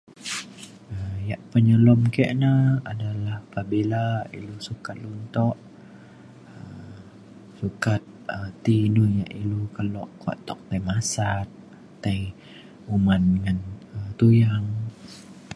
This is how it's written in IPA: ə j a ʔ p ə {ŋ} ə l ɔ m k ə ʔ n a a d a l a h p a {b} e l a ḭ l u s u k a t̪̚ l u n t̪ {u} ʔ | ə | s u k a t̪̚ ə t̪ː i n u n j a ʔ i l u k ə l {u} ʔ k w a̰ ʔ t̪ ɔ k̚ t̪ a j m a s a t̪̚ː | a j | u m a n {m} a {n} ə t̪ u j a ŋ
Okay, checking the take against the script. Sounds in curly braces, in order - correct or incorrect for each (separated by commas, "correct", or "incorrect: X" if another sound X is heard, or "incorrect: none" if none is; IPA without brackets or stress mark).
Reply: incorrect: ɲ, correct, incorrect: ɔ, incorrect: ɔ, incorrect: ŋ, correct